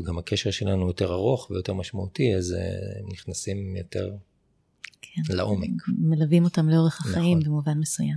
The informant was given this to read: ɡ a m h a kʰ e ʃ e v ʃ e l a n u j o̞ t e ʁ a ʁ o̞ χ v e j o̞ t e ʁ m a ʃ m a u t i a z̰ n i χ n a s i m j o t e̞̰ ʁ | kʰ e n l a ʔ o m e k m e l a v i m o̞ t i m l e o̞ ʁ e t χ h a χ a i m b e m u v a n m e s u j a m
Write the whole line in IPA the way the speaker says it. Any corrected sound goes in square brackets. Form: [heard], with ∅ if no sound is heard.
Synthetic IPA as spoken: ɡ a m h a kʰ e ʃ e [ʁ] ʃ e l a n u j o̞ t e ʁ a ʁ o̞ χ v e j o̞ t e ʁ m a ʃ m a u t i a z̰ n i χ n a s i m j o t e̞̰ ʁ | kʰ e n l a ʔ o m e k m e l a v i m o̞ t [a] m l e o̞ ʁ e [∅] χ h a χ a i m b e m u v a n m e s u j a m